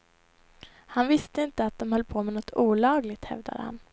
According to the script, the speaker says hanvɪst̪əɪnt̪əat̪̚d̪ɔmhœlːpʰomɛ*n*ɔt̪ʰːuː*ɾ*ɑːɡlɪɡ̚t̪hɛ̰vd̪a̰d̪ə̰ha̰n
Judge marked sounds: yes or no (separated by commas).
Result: yes, no